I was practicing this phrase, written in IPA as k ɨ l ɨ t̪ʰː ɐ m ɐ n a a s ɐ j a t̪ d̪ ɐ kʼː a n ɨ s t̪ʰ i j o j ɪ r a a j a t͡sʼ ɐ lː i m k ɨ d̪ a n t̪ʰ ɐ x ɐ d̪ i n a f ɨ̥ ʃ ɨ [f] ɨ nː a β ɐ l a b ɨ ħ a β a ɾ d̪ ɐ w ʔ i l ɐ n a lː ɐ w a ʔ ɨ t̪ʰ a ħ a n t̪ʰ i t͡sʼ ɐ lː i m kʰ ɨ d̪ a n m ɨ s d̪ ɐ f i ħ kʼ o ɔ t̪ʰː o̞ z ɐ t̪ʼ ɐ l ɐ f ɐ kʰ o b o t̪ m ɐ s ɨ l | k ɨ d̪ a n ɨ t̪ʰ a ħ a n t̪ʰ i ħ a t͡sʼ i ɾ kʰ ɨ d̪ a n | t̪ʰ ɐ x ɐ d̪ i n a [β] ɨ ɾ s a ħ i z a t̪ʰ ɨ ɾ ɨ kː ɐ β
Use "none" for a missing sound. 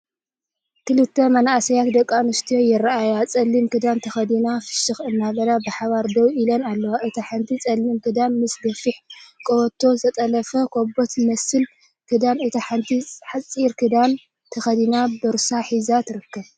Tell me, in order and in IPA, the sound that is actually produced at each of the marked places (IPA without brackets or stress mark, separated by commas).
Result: x, b